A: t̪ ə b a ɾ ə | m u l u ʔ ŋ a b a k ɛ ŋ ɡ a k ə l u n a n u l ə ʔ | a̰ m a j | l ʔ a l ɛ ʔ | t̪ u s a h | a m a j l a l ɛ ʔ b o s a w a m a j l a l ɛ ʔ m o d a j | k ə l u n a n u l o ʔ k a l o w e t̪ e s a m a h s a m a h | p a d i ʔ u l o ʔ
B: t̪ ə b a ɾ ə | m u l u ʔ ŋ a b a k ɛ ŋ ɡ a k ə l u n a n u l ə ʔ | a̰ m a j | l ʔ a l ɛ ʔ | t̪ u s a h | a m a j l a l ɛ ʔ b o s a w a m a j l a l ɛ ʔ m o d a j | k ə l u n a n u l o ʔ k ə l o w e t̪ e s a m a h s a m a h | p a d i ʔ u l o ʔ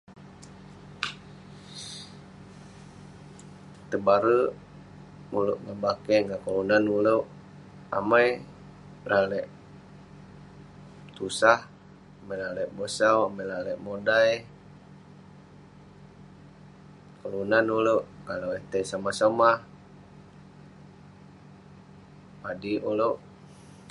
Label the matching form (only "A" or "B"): A